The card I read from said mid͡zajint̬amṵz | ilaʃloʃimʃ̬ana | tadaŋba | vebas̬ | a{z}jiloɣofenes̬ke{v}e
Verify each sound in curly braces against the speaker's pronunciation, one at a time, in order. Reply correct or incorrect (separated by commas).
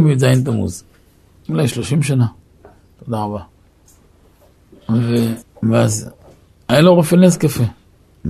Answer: incorrect, incorrect